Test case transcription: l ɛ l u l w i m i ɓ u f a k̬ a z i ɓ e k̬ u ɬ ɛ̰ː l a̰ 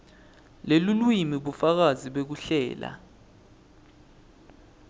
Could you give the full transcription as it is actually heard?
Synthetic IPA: l e l u l w i m i ɓ u f a k̬ a z i ɓ e k̬ u ɬ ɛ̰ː l a̰